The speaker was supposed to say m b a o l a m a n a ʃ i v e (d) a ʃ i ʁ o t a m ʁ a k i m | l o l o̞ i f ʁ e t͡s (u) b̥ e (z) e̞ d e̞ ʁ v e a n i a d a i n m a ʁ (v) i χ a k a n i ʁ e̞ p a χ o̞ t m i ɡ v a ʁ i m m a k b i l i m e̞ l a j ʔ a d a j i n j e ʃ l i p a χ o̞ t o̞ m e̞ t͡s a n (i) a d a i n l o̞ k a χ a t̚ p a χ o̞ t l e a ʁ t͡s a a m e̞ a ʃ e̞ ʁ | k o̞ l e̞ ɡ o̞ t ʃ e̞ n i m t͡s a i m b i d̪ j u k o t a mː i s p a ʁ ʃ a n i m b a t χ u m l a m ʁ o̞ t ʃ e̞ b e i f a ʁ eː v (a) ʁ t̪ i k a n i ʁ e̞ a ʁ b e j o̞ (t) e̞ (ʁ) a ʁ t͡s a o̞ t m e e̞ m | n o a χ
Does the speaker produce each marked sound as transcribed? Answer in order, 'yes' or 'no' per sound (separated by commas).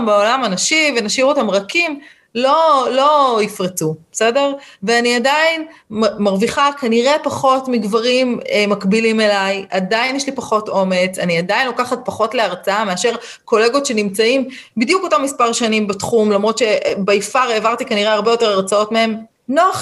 no, yes, no, yes, yes, yes, yes, yes